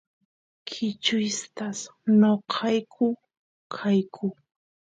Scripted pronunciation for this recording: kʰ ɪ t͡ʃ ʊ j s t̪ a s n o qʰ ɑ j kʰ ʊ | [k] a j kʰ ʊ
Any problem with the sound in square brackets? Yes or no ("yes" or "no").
yes